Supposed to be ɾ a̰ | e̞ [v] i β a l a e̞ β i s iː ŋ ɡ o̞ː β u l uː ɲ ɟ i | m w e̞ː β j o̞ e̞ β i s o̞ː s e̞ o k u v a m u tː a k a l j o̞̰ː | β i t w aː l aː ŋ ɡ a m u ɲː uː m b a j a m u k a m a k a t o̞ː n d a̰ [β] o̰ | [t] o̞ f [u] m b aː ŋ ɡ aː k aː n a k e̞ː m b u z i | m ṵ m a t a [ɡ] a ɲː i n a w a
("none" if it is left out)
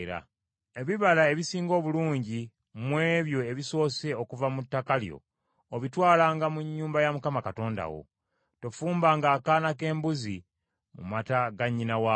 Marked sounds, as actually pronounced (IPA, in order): β, w, t, uː, ɡ

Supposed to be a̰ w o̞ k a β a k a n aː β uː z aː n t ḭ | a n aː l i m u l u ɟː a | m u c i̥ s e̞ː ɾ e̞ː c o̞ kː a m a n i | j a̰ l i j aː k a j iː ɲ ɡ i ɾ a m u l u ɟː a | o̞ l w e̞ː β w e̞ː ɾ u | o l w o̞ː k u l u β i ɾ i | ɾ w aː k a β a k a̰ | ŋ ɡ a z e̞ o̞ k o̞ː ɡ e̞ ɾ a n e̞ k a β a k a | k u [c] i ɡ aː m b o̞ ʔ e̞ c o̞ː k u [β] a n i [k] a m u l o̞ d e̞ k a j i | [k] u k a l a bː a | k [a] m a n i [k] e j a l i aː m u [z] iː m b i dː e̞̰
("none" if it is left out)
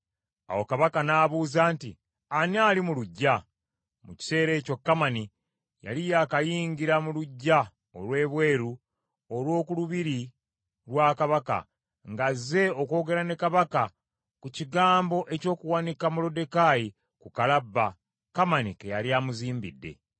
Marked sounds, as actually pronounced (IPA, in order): c, w, k, k, a, k, z

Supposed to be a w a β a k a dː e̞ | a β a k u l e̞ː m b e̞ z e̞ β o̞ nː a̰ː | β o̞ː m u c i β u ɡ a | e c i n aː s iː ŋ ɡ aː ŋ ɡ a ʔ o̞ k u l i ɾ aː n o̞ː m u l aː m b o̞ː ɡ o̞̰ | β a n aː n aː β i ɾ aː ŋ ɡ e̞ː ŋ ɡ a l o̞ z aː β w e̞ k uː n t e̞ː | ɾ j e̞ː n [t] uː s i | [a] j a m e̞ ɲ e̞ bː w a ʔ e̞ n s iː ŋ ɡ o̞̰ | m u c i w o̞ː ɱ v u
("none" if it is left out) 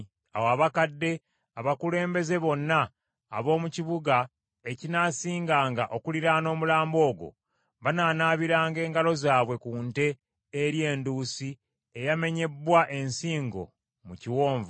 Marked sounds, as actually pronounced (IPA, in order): d, e

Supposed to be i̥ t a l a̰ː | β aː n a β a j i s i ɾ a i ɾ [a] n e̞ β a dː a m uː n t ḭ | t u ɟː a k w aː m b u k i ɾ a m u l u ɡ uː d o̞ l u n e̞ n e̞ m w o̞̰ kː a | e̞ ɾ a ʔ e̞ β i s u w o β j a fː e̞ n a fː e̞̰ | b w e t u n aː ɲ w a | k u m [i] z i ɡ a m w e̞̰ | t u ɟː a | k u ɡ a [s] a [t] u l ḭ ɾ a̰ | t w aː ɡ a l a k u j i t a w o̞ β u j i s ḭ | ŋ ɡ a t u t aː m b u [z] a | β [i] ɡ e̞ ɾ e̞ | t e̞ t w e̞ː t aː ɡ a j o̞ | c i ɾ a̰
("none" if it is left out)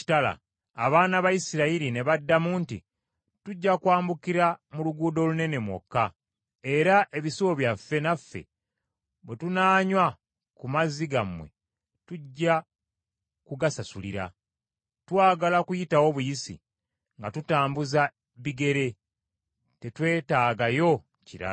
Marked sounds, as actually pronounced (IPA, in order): i, a, s, s, z, i

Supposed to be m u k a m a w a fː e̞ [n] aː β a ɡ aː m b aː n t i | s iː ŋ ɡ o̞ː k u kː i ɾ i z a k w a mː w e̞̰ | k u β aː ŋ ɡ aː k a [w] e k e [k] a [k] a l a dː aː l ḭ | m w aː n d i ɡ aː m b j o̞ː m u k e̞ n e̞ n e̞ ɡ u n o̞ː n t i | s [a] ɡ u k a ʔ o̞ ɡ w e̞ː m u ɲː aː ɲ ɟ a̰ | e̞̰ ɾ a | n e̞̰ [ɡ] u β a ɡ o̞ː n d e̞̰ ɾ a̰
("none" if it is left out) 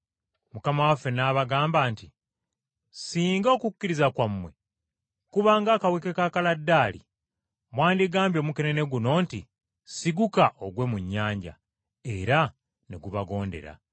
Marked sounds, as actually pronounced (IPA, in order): n, w, k, k, i, ɡ

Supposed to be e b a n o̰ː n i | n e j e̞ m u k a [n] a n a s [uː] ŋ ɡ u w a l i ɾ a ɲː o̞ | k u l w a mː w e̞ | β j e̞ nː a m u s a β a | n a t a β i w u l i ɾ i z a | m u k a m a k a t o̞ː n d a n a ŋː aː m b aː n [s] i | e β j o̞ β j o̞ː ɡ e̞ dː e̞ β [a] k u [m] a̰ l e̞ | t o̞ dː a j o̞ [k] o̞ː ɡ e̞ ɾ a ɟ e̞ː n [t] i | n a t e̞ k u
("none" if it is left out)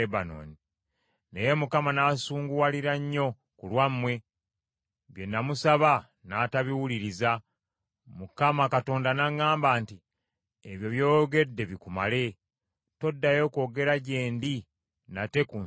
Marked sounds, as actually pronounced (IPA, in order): m, uː, t, i, m, k, d

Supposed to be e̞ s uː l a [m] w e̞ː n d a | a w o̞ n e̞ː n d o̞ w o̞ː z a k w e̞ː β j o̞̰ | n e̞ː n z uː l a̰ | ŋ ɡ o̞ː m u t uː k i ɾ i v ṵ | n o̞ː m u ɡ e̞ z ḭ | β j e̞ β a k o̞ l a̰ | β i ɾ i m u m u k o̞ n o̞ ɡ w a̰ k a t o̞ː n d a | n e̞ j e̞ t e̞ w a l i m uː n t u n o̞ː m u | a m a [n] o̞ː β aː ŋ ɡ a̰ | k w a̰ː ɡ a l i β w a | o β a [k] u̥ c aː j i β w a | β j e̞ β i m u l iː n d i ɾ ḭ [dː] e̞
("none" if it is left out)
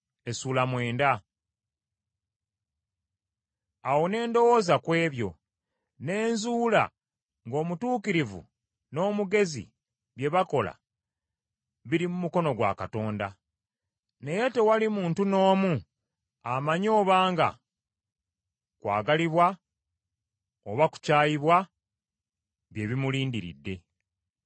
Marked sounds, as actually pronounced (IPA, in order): m, ɲ, k, dː

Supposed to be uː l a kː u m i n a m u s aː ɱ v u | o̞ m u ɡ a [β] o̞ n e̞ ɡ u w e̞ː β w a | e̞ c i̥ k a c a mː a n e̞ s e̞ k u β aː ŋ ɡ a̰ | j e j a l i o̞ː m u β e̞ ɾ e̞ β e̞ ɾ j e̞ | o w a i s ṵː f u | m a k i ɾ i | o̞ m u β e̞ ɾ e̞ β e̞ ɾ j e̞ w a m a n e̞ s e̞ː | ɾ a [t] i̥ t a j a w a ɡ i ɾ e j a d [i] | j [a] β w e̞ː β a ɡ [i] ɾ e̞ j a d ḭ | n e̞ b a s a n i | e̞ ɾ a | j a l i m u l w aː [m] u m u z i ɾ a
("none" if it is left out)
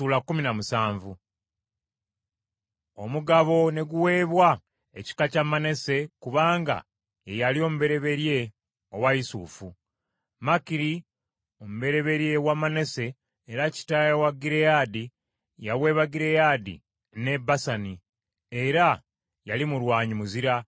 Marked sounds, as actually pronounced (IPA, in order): β, c, i, a, i, ɲ

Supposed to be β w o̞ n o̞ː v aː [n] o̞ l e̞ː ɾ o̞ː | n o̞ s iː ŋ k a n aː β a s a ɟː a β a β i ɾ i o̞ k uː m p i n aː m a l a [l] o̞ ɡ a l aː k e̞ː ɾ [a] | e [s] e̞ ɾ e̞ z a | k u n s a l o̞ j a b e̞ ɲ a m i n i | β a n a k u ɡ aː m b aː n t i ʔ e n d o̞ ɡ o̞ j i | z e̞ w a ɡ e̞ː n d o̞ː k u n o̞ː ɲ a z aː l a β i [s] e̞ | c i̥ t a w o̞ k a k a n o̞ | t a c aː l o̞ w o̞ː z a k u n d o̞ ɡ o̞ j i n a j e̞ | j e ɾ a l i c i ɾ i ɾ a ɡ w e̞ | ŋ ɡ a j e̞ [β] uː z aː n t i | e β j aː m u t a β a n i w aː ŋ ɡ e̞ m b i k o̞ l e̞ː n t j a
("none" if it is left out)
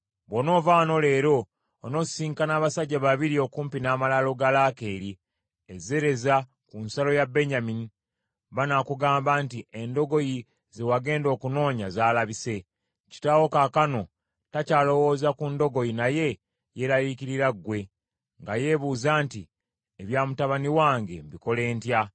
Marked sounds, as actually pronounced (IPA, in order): n, l, i, z, s, β

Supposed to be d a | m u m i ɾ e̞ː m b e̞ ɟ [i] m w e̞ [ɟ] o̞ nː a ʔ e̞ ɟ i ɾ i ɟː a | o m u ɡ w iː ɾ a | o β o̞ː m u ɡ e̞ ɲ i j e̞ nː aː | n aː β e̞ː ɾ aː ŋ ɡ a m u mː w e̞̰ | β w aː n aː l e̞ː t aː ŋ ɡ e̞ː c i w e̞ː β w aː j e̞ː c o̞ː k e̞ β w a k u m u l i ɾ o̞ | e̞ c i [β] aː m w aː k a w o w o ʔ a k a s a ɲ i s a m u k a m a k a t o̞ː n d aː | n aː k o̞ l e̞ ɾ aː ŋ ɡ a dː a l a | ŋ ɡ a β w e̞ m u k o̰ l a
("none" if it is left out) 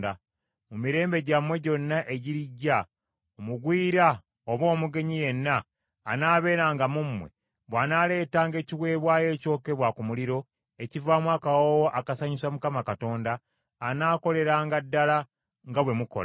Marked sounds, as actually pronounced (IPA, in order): a, ɟ, v

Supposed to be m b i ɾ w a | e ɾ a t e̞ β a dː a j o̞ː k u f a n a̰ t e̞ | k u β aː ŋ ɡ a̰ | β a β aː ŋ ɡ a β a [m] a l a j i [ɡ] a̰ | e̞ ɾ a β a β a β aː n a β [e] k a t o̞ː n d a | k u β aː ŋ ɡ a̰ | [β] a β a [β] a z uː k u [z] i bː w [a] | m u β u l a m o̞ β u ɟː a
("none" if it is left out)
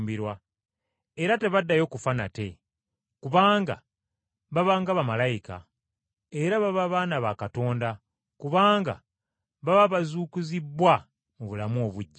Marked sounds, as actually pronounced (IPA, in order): m, k, a, β, β, z, a

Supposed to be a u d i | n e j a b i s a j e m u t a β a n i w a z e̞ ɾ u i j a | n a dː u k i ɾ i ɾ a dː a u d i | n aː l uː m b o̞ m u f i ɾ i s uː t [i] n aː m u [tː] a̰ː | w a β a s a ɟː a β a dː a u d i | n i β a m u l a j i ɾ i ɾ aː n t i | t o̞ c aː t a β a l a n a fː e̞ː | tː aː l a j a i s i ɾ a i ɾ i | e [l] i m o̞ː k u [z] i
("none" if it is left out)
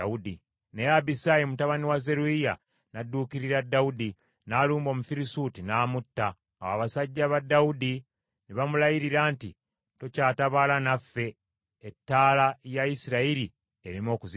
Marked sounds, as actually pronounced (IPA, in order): i, tː, ɾ, z

